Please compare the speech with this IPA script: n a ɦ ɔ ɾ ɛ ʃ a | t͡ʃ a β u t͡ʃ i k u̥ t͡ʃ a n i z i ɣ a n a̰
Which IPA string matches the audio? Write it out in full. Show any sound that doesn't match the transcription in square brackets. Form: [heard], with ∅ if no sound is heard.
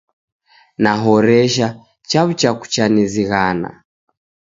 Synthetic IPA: n a ɦ ɔ ɾ ɛ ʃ a | t͡ʃ a β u t͡ʃ [a] k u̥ t͡ʃ a n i z i ɣ a n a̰